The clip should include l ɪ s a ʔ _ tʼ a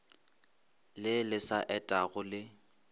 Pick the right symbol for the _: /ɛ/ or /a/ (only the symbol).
ɛ